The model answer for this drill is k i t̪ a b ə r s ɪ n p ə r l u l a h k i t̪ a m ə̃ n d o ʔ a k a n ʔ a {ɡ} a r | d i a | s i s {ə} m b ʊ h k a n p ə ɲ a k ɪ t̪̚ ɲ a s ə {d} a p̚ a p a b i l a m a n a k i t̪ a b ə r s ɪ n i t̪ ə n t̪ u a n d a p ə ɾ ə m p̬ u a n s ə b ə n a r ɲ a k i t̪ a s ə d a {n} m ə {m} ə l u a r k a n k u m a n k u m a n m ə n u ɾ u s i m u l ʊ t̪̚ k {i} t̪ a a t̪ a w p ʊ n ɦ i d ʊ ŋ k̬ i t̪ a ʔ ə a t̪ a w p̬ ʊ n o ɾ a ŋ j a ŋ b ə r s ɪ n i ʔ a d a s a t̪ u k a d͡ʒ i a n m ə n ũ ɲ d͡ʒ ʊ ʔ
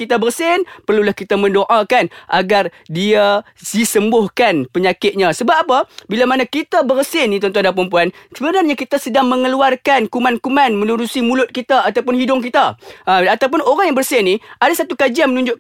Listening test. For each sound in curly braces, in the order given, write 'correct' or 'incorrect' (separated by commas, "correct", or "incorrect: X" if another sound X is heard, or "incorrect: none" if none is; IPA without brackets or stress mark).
correct, correct, incorrect: b, incorrect: ŋ, incorrect: ŋ, correct